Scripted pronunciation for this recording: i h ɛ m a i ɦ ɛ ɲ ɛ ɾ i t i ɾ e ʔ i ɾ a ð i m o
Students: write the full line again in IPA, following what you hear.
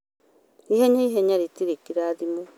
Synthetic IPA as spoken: i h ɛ ɲ a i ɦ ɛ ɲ a ɾ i t i ɾ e k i ɾ a ð i m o